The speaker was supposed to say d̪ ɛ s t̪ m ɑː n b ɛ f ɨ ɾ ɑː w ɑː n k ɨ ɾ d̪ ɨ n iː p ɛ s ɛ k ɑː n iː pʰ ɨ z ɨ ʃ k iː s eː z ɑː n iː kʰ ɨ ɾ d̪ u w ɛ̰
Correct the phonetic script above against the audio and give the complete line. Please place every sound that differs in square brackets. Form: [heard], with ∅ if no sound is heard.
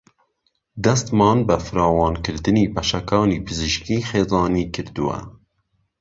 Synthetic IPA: d̪ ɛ s t̪ m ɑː n b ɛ f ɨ ɾ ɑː w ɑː n k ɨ ɾ d̪ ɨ n iː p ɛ [ʃ] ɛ k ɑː n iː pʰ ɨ z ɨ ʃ k iː [x] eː z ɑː n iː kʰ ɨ ɾ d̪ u w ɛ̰